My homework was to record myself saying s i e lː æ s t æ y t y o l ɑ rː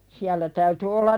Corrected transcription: s i æ lː æ t æ y t y o lː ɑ r